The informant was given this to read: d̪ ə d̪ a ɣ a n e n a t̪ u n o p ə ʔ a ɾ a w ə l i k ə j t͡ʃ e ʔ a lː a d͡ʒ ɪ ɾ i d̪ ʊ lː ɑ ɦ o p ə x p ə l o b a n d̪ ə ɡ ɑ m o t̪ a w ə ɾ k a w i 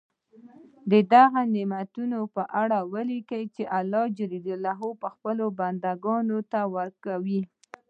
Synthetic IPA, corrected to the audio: d̪ ə d̪ a ɣ a n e m a t̪ u n o p ə ʔ a ɽ a w ə l i k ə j t͡ʃ e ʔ a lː ɑ d͡ʒ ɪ ɾ i d̪ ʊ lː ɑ ɦ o p ə x p ə l o b a n d̪ a ɡ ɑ n o t̪ a w ə ɾ k a w i